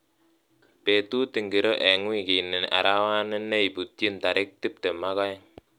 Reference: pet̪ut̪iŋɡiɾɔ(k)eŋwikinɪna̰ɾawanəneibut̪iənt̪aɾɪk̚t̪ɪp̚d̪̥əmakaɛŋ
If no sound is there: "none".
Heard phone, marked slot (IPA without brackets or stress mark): ʔ